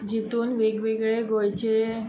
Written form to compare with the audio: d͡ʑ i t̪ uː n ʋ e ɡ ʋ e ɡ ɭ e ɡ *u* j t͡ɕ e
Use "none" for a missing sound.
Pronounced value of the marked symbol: o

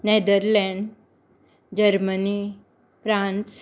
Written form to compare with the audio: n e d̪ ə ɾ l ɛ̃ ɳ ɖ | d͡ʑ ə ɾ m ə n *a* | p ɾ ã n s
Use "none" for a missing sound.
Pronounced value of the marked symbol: i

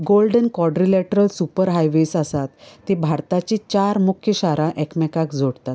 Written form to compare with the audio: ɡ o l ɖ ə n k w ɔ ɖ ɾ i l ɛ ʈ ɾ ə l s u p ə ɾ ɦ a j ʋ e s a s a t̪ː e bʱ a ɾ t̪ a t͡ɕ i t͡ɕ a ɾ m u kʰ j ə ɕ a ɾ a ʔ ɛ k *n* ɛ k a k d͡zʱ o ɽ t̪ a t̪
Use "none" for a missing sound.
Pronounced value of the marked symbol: m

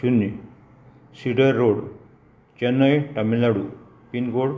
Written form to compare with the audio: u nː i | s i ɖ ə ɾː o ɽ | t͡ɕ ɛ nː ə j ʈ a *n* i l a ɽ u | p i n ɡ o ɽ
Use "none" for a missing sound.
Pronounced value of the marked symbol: m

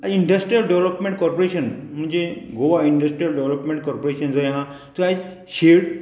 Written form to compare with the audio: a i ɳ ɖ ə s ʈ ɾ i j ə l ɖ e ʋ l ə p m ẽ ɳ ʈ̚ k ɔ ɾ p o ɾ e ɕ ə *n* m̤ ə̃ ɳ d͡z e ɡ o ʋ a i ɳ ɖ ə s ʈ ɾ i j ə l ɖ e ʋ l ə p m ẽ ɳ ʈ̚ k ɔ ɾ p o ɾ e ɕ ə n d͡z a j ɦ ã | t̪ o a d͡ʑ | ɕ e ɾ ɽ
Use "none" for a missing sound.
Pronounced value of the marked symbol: n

